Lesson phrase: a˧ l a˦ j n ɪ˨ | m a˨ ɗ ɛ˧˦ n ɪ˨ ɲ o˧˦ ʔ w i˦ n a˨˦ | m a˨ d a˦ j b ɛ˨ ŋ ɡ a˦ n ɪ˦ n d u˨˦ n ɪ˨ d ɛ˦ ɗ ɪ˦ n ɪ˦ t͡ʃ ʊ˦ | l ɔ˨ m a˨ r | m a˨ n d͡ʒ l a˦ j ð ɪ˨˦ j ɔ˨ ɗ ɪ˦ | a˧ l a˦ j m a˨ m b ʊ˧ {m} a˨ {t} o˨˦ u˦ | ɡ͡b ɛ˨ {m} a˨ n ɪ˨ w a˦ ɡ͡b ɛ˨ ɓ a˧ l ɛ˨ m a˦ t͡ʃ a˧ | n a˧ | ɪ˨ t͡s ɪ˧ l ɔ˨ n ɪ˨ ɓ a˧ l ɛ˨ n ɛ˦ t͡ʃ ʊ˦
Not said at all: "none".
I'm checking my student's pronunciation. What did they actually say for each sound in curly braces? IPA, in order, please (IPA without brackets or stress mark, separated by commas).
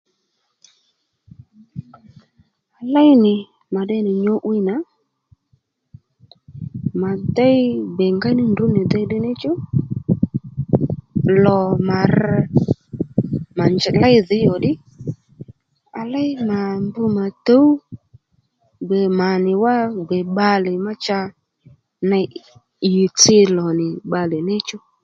m, t, m